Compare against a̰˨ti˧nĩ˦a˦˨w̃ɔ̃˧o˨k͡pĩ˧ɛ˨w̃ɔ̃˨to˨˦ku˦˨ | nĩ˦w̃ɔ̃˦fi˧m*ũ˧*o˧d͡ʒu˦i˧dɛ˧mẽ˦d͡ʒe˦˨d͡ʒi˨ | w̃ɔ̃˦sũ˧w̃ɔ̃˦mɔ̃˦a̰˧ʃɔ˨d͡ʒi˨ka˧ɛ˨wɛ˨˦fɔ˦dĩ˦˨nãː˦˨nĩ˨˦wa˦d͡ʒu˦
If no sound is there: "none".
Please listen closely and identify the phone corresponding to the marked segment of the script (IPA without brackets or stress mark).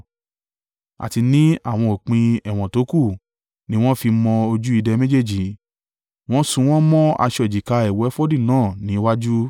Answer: ɔ̃˧